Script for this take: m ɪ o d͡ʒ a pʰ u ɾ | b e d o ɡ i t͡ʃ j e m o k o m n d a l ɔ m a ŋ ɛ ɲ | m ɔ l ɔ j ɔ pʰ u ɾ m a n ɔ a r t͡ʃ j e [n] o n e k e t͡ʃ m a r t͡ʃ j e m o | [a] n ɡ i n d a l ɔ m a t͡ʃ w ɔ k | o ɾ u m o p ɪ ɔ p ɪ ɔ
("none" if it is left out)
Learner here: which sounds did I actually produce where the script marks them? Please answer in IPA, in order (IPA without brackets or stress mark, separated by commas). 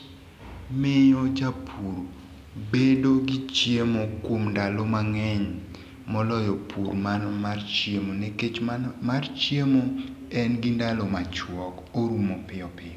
m, ɛ